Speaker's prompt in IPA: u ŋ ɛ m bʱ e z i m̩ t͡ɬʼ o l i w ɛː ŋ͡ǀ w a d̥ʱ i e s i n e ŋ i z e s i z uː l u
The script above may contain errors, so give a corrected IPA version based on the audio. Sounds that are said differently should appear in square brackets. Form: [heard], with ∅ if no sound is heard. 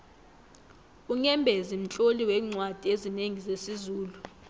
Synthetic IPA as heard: u ŋ ɛ m bʱ e z i m̩ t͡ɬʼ o l i w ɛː ŋ͡ǀ w a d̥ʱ i e [z] i n e ŋ i z e s i z uː l u